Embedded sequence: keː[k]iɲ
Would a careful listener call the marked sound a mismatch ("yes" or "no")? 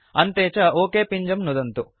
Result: yes